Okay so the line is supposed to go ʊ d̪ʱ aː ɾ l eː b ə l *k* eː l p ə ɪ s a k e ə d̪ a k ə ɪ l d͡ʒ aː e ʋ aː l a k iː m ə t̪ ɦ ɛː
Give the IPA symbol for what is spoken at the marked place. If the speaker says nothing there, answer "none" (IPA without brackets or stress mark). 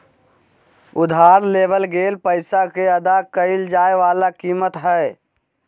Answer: ɡ